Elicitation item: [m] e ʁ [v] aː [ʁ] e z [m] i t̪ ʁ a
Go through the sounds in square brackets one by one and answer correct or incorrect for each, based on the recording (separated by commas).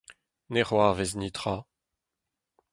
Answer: incorrect, incorrect, incorrect, incorrect